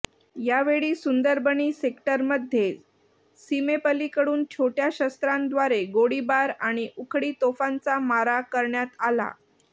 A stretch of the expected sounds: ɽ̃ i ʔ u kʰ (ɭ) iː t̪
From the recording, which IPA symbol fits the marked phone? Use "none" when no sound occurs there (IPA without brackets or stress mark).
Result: ɽ